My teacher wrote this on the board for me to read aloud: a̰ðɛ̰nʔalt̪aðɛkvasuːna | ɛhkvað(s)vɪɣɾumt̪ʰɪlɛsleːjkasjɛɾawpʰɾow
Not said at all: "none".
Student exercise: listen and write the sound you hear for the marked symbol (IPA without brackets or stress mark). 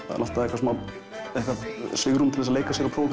s